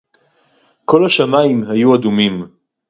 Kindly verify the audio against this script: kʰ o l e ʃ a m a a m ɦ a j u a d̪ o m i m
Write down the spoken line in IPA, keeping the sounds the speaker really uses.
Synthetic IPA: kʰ o l a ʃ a m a i m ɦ a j u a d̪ u m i m